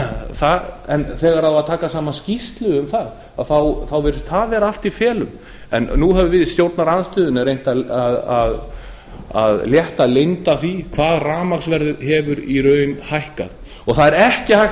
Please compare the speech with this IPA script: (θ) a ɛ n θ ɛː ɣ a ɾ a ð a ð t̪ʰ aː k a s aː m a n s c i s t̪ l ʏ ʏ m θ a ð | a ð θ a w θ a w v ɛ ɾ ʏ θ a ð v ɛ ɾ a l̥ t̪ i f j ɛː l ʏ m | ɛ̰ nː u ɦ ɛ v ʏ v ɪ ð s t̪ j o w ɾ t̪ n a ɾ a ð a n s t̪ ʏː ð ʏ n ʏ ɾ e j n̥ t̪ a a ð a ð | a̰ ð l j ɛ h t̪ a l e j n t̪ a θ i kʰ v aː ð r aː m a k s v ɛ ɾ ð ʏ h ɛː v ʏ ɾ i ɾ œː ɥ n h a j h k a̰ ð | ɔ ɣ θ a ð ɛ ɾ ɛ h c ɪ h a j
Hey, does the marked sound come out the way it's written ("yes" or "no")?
yes